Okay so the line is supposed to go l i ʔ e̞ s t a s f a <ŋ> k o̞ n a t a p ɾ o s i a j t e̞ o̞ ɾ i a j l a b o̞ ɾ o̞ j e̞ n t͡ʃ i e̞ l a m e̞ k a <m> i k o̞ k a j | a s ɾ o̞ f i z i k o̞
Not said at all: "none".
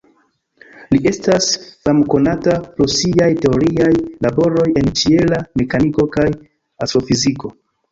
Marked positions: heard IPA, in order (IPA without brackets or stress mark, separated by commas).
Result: m, n